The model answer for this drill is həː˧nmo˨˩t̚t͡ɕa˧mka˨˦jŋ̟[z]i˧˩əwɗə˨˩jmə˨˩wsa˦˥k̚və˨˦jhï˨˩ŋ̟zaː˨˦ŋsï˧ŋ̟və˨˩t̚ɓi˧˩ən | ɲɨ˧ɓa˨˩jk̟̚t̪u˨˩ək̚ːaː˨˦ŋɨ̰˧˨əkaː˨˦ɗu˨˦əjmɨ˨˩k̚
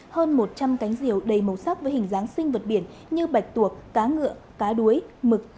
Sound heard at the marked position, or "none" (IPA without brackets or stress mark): z